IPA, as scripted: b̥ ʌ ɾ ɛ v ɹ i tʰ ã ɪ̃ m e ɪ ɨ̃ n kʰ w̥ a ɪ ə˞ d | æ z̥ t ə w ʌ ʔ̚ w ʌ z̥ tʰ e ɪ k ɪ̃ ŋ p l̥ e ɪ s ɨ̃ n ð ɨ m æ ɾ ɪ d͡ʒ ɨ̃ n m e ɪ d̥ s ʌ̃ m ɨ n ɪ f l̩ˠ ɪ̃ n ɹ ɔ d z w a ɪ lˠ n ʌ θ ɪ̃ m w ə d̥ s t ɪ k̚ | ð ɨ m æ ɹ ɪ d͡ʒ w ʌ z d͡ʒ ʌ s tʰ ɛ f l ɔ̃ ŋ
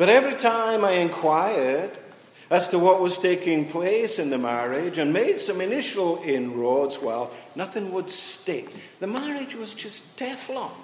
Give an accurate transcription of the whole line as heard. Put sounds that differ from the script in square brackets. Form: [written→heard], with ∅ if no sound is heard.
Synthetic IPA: b̥ ʌ ɾ ɛ v ɹ i tʰ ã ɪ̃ m [e→a] ɪ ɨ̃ n kʰ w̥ a ɪ ə˞ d | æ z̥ t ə w ʌ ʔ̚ w ʌ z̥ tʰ e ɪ k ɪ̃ ŋ [p→pʰ] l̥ e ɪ s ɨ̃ n ð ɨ m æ [ɾ→ɹ] ɪ d͡ʒ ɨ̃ n m e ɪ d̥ s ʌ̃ m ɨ n ɪ [f→ʃ] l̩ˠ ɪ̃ n ɹ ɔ d z w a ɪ lˠ n ʌ θ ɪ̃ [m→ŋ] w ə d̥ s t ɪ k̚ | ð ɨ m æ ɹ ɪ d͡ʒ w ʌ z d͡ʒ ʌ s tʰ ɛ f l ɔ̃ ŋ